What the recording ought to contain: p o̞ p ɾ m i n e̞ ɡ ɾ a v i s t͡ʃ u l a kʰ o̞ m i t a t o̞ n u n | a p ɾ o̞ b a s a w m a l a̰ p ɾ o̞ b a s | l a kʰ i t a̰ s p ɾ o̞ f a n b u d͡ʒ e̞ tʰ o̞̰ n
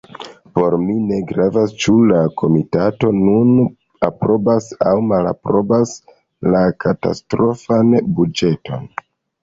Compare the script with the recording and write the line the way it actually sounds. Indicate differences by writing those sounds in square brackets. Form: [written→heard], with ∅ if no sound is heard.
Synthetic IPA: p o̞ [p→∅] ɾ m i n e̞ ɡ ɾ a v [i→a] s t͡ʃ u l a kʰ o̞ m i t a t o̞ n u n | a p ɾ o̞ b a s a w m a l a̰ p ɾ o̞ b a s | l a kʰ [i→a] t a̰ s [p→t] ɾ o̞ f a n b u d͡ʒ e̞ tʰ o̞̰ n